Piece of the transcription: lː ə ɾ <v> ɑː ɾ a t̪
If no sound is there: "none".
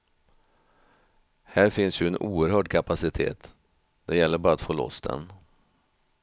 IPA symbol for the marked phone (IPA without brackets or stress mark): b